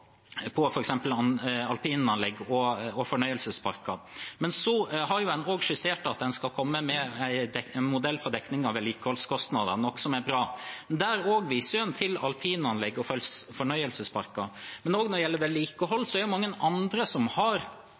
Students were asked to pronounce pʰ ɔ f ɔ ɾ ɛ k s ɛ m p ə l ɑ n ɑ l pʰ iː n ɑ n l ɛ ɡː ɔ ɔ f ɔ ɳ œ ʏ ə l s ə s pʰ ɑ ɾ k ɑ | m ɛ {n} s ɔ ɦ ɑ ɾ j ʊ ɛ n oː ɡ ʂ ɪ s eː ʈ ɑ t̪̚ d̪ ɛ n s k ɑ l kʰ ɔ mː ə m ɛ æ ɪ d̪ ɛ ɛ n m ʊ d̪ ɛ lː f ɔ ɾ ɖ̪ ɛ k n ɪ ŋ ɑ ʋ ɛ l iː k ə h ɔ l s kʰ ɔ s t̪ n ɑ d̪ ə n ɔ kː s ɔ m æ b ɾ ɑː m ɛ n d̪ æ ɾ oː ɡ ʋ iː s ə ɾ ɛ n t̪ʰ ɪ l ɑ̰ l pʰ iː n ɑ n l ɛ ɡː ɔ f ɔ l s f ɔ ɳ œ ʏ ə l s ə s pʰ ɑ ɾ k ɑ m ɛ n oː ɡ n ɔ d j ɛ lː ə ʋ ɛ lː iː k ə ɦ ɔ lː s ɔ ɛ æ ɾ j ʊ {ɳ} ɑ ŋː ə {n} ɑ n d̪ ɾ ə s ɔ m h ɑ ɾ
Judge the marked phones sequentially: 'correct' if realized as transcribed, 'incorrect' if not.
correct, incorrect: m, correct

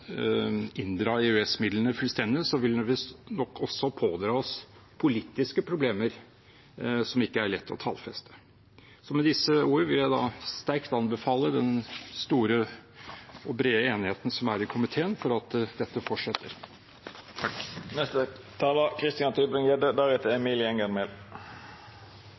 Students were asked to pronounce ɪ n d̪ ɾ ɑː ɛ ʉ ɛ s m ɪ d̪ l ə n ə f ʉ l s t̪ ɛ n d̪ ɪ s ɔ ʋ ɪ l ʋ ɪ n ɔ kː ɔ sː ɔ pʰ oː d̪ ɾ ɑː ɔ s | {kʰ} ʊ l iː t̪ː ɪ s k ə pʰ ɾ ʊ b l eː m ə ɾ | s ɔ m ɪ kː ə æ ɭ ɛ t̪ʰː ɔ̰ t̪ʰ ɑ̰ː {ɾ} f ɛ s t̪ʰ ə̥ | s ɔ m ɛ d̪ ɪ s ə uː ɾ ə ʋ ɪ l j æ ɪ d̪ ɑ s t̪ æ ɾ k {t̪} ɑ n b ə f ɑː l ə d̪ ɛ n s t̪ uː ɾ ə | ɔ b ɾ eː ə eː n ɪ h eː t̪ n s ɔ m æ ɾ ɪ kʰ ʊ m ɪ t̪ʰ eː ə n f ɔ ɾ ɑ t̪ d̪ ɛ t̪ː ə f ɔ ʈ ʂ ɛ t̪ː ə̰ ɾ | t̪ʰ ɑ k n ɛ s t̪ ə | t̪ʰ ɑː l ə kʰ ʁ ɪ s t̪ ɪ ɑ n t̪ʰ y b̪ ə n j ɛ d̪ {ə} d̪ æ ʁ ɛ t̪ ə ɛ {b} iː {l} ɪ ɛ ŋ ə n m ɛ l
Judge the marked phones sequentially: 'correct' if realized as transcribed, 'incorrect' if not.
incorrect: pʰ, incorrect: l, correct, correct, incorrect: m, correct

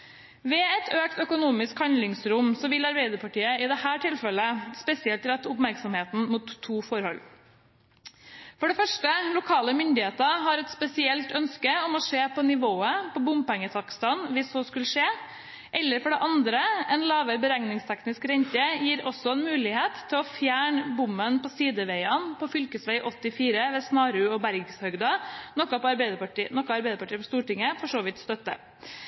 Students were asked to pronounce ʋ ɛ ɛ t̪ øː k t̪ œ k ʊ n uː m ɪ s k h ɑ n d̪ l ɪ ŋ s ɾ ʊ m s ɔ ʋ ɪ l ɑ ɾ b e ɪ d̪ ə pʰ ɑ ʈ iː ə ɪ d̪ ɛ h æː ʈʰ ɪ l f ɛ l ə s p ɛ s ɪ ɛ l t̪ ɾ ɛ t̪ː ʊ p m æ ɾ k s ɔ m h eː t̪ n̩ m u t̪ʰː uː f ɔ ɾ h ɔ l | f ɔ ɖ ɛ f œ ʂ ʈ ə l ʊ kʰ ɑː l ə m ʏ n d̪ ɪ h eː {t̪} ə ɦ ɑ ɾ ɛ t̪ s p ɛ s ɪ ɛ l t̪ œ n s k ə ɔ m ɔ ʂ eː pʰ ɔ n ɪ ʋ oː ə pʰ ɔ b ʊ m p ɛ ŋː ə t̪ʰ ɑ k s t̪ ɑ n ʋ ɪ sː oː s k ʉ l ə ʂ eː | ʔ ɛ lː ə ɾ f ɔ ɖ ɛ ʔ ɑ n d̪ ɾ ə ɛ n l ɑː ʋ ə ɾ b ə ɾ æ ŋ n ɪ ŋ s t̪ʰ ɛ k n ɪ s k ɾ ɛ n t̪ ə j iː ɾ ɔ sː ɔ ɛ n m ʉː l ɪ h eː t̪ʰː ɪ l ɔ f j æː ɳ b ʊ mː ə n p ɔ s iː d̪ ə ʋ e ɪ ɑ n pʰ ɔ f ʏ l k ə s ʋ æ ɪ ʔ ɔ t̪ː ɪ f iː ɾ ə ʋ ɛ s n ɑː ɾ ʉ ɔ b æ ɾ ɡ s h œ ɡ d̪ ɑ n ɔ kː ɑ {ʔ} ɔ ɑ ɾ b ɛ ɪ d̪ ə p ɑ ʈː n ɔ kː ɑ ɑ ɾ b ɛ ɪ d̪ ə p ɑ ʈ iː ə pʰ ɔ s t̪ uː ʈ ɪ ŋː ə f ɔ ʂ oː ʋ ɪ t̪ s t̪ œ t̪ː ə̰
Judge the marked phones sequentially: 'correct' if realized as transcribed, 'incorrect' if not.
correct, incorrect: p

